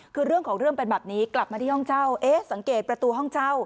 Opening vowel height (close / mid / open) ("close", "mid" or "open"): close